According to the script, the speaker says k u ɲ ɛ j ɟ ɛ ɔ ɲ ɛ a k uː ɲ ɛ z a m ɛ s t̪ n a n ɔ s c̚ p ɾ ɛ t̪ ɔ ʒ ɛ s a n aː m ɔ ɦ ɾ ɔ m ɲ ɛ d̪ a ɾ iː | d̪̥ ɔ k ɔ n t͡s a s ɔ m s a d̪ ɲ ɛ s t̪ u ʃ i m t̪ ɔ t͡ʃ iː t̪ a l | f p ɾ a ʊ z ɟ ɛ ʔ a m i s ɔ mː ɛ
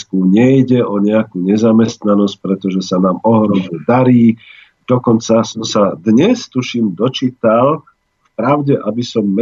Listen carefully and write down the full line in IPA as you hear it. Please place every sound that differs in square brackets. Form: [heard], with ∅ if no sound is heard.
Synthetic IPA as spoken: k u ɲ ɛ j ɟ ɛ ɔ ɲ ɛ a k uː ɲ ɛ z a m ɛ s t̪ n a n ɔ s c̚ p ɾ ɛ t̪ ɔ ʒ ɛ s a n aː m ɔ ɦ ɾ ɔ m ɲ ɛ d̪ a ɾ iː | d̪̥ ɔ k ɔ n t͡s a s ɔ m s a d̪ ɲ ɛ s t̪ u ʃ i m [d̪] ɔ t͡ʃ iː t̪ a l | f p ɾ a ʊ [∅] ɟ ɛ ʔ a [b] i s ɔ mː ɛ